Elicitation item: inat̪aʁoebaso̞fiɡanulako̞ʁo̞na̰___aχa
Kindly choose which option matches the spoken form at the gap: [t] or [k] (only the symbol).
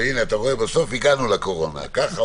k